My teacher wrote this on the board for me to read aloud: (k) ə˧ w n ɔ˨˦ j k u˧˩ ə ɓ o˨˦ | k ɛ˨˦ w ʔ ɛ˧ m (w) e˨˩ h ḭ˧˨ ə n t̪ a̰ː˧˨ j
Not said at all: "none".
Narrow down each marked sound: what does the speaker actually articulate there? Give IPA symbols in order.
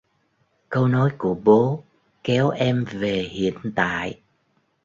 k, v

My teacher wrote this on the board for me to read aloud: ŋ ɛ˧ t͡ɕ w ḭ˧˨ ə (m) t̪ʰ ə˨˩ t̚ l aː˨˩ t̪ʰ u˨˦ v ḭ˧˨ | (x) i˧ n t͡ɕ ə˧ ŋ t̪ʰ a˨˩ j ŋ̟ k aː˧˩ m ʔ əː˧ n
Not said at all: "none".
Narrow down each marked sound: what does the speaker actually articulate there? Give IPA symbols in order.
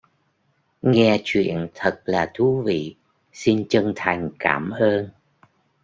n, s

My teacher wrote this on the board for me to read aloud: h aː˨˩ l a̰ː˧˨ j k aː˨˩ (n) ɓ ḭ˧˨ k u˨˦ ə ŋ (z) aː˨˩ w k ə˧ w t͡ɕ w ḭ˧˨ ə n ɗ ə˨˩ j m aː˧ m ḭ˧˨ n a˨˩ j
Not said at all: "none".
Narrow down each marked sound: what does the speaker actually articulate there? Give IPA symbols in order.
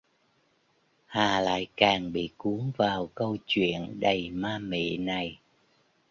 ŋ, v

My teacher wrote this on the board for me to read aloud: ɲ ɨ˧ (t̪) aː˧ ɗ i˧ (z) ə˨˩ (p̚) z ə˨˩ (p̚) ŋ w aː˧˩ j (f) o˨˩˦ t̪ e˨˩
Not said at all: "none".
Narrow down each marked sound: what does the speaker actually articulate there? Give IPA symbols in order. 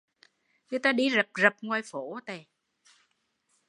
t̪, z, p̚, p̚, f

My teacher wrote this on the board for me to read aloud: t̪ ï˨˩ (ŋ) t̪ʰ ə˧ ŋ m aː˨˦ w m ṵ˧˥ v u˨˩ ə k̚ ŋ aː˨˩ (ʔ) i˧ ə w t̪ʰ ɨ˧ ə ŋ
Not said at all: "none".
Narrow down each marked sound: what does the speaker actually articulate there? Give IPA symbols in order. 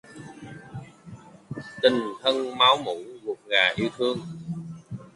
ŋ, ʔ

